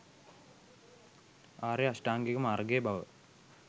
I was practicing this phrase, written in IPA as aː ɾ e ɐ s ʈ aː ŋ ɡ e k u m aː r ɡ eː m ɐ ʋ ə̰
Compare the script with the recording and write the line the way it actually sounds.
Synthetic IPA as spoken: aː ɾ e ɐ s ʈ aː ŋ ɡ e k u m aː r ɡ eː b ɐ ʋ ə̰